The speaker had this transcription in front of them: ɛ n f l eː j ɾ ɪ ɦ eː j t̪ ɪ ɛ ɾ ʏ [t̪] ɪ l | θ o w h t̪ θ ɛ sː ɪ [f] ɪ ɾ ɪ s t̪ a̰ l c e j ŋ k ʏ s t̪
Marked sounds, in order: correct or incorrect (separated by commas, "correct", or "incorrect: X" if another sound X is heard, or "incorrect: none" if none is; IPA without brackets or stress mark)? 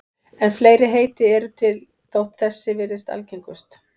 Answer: incorrect: t̪ʰ, incorrect: v